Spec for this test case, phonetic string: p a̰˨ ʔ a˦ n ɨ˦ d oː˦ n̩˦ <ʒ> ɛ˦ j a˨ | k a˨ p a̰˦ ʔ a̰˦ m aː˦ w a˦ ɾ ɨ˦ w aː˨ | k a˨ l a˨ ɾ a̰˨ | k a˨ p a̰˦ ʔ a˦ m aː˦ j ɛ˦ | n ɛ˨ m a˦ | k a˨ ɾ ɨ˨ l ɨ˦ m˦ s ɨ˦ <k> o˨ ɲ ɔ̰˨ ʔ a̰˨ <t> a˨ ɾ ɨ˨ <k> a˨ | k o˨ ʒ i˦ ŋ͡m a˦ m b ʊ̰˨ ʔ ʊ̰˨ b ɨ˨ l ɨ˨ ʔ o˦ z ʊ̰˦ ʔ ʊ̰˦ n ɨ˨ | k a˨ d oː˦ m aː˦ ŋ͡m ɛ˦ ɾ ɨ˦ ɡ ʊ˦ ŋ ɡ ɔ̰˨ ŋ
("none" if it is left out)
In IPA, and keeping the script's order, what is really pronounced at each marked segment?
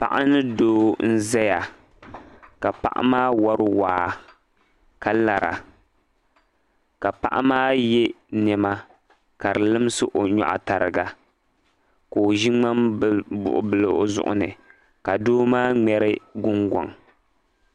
z, ʔ, t, ɡ

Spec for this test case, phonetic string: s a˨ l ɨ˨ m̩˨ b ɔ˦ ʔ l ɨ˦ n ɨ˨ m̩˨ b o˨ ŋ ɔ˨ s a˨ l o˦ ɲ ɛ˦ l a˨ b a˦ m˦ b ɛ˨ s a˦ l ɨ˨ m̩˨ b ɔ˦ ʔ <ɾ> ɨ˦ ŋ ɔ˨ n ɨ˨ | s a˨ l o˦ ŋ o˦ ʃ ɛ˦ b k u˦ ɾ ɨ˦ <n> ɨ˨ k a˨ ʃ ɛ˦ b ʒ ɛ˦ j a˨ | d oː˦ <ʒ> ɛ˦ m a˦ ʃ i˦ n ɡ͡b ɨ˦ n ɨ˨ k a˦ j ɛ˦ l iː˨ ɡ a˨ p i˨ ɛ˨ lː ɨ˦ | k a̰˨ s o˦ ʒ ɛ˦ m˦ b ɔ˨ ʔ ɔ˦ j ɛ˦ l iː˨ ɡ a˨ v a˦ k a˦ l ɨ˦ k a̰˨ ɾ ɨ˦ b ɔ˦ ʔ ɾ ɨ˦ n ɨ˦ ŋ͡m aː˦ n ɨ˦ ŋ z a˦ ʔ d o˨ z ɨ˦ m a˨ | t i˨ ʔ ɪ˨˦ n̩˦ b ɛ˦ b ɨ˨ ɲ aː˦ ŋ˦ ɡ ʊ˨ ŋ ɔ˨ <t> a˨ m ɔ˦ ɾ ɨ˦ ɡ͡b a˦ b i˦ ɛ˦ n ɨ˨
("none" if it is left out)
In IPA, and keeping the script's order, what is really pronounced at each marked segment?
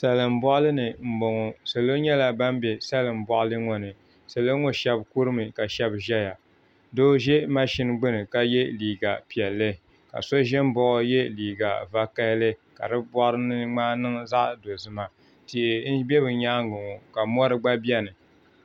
l, m, ʒ, k

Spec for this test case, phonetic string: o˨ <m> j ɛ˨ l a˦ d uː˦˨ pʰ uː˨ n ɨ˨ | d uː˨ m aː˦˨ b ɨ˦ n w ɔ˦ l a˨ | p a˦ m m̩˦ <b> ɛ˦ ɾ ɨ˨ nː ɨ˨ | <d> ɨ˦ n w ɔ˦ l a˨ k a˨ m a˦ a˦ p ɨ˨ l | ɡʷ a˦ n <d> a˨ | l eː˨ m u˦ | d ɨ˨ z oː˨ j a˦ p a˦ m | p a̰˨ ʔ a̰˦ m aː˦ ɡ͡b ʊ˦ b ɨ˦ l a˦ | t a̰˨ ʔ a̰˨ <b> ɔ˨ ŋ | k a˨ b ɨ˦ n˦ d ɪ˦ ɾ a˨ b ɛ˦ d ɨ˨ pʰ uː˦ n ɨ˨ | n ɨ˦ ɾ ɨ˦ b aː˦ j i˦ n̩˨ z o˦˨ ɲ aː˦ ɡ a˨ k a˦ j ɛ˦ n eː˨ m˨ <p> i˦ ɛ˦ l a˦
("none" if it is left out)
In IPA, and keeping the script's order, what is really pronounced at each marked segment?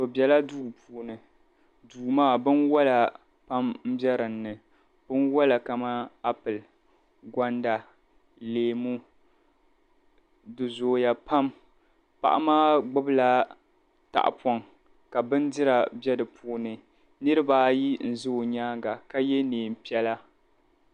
b, b, b, d, p, p

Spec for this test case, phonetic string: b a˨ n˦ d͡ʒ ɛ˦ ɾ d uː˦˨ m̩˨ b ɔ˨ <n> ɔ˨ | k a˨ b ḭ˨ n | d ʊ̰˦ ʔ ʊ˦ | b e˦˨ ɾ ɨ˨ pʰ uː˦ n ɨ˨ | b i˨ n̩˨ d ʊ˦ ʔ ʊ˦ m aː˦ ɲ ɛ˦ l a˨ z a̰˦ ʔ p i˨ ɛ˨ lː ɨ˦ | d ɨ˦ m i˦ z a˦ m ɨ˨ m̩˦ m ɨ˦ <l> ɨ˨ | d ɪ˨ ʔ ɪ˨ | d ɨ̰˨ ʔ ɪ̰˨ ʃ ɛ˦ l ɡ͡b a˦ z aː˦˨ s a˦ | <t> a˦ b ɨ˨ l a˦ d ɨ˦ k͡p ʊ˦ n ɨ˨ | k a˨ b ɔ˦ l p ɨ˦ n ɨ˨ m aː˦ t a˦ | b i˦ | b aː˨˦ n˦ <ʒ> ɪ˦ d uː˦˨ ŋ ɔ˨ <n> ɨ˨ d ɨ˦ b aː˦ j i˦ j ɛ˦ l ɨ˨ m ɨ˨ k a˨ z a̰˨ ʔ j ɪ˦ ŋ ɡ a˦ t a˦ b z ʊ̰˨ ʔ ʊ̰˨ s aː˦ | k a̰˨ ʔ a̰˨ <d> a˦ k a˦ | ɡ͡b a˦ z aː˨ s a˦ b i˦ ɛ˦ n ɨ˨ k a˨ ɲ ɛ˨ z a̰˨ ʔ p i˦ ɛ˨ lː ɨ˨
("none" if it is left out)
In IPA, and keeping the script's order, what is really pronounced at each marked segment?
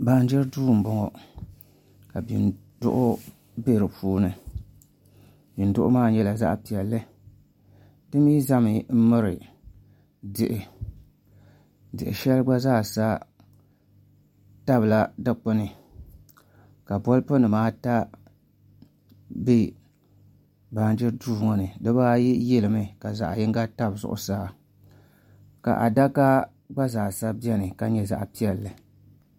ŋ, ɾ, t, d͡ʒ, n, d

